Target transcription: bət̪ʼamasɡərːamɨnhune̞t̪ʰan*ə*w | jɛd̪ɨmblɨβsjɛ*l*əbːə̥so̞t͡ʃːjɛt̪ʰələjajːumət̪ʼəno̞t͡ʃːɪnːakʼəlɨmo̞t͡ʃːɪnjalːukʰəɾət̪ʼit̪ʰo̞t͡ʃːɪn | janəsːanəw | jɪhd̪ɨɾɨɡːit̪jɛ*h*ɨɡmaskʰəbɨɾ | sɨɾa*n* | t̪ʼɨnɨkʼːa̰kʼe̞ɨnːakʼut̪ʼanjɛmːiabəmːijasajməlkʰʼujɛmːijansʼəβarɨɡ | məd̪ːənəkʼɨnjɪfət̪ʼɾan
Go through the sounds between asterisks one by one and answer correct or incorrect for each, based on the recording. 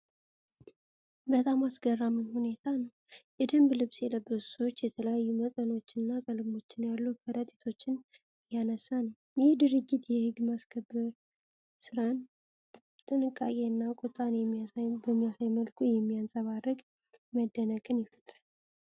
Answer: correct, correct, correct, correct

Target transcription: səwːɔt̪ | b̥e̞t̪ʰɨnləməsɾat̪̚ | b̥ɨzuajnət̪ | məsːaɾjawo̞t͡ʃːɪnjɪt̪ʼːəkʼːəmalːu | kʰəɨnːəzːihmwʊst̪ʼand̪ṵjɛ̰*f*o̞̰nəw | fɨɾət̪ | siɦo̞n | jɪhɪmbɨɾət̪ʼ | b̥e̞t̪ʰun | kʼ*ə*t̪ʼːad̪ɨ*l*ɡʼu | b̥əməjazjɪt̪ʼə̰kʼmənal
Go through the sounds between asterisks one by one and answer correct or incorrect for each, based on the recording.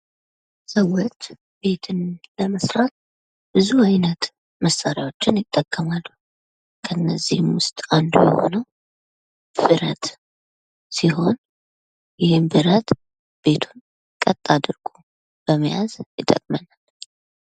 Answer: incorrect: h, correct, incorrect: ɾ

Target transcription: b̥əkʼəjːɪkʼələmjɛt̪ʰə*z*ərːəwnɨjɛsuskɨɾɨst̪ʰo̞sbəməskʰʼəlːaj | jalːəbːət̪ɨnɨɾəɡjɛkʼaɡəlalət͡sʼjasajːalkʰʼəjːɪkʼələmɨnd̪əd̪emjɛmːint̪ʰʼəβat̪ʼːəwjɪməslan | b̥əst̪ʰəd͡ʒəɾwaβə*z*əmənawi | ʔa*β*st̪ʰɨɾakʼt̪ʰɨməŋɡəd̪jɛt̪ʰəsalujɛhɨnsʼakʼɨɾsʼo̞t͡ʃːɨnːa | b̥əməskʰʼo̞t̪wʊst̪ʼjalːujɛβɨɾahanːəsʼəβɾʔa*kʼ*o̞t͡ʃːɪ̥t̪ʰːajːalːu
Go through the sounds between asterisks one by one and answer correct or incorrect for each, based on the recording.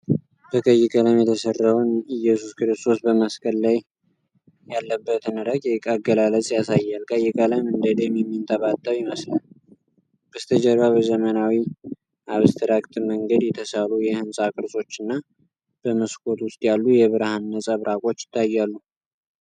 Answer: incorrect: s, correct, correct, correct

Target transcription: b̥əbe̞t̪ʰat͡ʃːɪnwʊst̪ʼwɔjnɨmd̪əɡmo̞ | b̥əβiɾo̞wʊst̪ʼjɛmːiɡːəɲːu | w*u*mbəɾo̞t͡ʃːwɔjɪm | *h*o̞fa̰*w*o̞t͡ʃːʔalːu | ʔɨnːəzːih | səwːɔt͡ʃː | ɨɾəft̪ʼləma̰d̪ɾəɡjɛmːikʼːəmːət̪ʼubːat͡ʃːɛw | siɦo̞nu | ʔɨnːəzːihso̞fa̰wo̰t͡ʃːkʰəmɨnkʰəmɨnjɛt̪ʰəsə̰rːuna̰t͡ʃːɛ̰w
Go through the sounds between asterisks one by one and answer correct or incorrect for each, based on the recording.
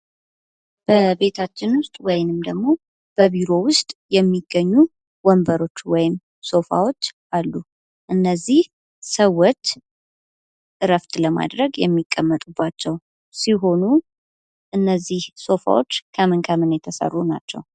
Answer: incorrect: ɔ, incorrect: s, correct

